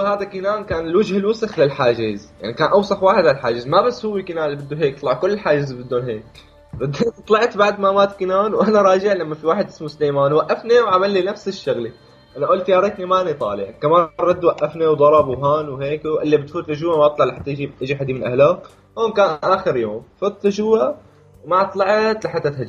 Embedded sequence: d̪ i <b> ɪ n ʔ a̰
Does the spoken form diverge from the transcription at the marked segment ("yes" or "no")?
yes